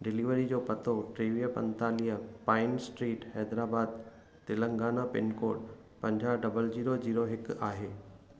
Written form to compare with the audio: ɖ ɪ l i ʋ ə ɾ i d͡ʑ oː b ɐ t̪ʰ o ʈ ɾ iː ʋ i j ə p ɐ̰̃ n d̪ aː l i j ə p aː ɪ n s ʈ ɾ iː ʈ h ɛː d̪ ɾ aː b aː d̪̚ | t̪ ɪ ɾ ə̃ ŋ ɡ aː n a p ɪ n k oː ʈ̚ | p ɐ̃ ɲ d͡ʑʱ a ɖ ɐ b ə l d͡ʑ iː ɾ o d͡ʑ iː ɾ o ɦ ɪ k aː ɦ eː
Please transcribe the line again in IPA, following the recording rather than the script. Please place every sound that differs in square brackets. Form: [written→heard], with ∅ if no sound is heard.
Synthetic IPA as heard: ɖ ɪ l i ʋ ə ɾ i d͡ʑ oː [b→p] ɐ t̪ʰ o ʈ ɾ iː ʋ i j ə p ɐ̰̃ n [d̪→t̪] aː l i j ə p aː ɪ n s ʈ ɾ iː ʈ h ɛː d̪ ɾ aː b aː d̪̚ | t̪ ɪ [ɾ→l] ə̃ ŋ ɡ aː n a p ɪ n k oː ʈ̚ | p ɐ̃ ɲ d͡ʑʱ a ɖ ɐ b ə l d͡ʑ iː ɾ o d͡ʑ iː ɾ o ɦ ɪ k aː ɦ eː